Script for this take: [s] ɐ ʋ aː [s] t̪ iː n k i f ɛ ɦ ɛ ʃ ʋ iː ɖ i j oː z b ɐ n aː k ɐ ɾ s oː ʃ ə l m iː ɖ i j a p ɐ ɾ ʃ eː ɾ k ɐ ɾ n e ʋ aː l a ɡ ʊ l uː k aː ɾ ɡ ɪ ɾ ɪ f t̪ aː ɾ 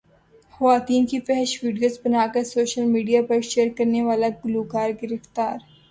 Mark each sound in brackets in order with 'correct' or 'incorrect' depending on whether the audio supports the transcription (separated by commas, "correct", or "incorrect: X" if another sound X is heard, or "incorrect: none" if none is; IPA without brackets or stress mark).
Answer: incorrect: x, incorrect: none